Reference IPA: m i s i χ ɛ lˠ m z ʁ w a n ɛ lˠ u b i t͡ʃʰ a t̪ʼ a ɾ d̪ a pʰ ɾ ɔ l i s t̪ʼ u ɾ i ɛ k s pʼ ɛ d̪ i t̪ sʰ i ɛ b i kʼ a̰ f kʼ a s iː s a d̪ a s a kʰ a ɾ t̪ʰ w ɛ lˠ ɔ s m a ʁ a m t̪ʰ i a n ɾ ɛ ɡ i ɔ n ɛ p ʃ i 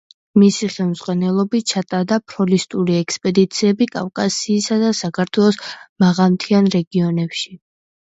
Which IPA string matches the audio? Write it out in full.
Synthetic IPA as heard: m i s i χ ɛ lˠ m z ʁ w a n ɛ lˠ ɔ b i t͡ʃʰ a t̪ʼ a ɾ d̪ a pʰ ɾ ɔ l i s t̪ʼ u ɾ i ɛ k s pʼ ɛ d̪ i t̪ sʰ i ɛ b i kʼ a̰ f kʼ a s iː s a d̪ a s a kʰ a ɾ t̪ʰ w ɛ lˠ ɔ s m a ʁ a m t̪ʰ i a n ɾ ɛ ɡ i ɔ n ɛ p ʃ i

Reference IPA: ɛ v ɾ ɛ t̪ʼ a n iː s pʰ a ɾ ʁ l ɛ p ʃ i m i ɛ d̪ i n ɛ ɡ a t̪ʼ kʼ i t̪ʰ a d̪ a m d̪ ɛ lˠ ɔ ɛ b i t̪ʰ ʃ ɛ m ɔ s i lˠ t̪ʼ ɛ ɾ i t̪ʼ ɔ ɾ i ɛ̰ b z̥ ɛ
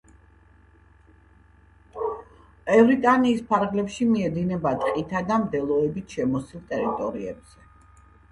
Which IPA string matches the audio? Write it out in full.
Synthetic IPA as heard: ɛ v ɾ i t̪ʼ a n iː s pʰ a ɾ ʁ l ɛ p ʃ i m i ɛ d̪ i n ɛ b a t̪ʼ qʼ i t̪ʰ a d̪ a m d̪ ɛ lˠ ɔ ɛ b i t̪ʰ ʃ ɛ m ɔ s i lˠ t̪ʼ ɛ ɾ i t̪ʼ ɔ ɾ i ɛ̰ b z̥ ɛ

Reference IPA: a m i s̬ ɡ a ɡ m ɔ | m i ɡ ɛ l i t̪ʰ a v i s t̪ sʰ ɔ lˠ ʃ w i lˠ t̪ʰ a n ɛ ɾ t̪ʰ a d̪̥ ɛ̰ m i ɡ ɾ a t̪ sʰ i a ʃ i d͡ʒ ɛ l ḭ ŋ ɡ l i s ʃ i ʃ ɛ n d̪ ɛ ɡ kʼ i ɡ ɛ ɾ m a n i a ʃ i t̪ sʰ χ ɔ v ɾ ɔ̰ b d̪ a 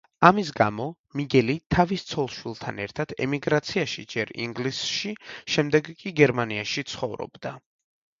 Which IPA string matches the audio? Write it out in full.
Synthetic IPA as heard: a m i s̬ ɡ a m ɔ | m i ɡ ɛ l i t̪ʰ a v i s t̪ sʰ ɔ lˠ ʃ w i lˠ t̪ʰ a n ɛ ɾ t̪ʰ a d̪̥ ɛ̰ m i ɡ ɾ a t̪ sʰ i a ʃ i d͡ʒ ɛ ɾ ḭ ŋ ɡ l i s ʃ i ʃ ɛ m d̪ ɛ ɡ kʼ i ɡ ɛ ɾ m a n i a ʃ i t̪ sʰ χ ɔ v ɾ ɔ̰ b d̪ a

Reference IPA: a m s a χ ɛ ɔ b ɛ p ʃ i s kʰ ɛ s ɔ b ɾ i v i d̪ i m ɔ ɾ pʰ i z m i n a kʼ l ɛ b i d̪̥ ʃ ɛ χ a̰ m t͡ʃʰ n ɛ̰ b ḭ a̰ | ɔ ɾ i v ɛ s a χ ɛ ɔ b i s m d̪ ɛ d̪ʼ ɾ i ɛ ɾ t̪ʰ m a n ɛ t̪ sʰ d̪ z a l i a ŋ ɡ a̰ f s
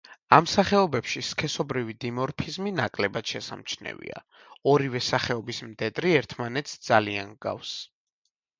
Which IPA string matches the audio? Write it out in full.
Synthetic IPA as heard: a m s a χ ɛ ɔ b ɛ p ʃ i s kʰ ɛ s ɔ b ɾ i v i d̪ i m ɔ ɾ pʰ i z m i n a kʼ l ɛ b a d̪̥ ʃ ɛ s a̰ m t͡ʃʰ n ɛ̰ v ḭ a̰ | ɔ ɾ i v ɛ s a χ ɛ ɔ b i s m d̪ ɛ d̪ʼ ɾ i ɛ ɾ t̪ʰ m a n ɛ t̪ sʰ d̪ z a l i a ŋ ɡ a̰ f s

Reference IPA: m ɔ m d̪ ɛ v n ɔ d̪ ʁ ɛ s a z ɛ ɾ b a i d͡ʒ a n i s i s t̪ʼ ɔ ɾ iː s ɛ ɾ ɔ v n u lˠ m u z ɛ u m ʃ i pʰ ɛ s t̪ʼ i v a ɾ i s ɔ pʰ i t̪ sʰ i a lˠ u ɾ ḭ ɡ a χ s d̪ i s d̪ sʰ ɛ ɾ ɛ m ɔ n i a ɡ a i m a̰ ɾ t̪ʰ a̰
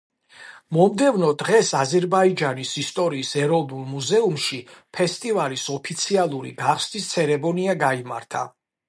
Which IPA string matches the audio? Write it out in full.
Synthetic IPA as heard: m ɔ m d̪ ɛ v n ɔ d̪ ʁ ɛ s a z ɛ ɾ b a i d͡ʒ a n i s i s t̪ʼ ɔ ɾ iː s ɛ ɾ ɔ v n u lˠ m u z ɛ u m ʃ i pʰ ɛ s t̪ʼ i v a l i s ɔ pʰ i t̪ sʰ i a lˠ u ɾ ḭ ɡ a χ s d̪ i s t̪ sʰ ɛ ɾ ɛ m ɔ n i a ɡ a i m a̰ ɾ t̪ʰ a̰

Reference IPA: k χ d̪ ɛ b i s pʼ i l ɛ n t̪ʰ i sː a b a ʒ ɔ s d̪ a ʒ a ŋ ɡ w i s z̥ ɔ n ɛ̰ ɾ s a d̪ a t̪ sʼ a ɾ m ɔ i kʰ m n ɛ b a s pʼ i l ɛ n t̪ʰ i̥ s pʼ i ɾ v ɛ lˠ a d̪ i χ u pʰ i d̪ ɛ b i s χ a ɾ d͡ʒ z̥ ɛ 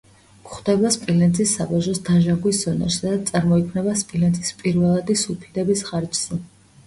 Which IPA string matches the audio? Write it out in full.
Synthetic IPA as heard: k χ d̪ ɛ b a s pʼ i l ɛ n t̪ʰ i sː a b a ʒ ɔ s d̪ a ʒ a ŋ ɡ w i s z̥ ɔ n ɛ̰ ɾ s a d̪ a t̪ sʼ a ɾ m ɔ i kʰ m n ɛ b a s pʼ i l ɛ n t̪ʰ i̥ s pʼ i ɾ v ɛ lˠ a d̪ i s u pʰ i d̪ ɛ b i s χ a ɾ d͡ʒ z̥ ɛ

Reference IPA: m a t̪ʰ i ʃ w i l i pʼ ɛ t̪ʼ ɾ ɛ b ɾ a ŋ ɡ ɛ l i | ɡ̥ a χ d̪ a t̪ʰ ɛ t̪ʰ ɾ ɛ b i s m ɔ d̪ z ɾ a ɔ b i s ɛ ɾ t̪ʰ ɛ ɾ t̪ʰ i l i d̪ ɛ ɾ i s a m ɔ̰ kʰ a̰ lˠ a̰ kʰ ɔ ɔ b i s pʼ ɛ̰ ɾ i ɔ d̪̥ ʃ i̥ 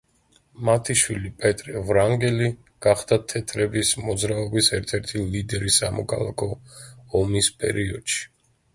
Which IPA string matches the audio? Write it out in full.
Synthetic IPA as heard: m a t̪ʰ i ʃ w i l i pʼ ɛ t̪ʼ ɾ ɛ v ɾ a ŋ ɡ ɛ l i | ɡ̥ a χ d̪ a t̪ʰ ɛ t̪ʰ ɾ ɛ b i s m ɔ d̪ z ɾ a ɔ b i s ɛ ɾ t̪ʰ ɛ ɾ t̪ʰ i l i d̪ ɛ ɾ i s a m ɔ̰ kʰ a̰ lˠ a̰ kʰ ɔ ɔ m i s pʼ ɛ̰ ɾ i ɔ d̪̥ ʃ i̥

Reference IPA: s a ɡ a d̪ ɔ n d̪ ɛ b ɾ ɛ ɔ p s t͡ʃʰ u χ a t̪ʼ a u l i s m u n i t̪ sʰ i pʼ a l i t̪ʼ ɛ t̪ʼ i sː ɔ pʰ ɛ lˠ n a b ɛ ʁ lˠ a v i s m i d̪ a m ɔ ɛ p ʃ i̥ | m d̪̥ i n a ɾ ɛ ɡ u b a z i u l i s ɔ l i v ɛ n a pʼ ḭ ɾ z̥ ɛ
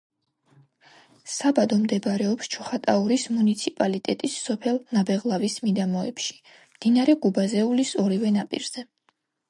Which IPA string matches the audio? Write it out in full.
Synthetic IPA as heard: s a b a d̪ ɔ m d̪ ɛ b ɾ ɛ ɔ p s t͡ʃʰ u χ a t̪ʼ a u ɾ i s m u n i t̪ sʰ i pʼ a l i t̪ʼ ɛ t̪ʼ i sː ɔ pʰ ɛ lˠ n a b ɛ ʁ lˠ a v i s m i d̪ a m ɔ ɛ p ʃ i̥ | m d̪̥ i n a ɾ ɛ ɡ u b a z ɛ u l i s ɔ ɾ i v ɛ n a pʼ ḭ ɾ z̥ ɛ

